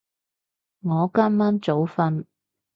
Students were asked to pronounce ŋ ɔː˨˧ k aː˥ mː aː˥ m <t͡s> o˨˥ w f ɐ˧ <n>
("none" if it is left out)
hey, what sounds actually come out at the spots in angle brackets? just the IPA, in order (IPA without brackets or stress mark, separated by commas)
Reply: t͡s, n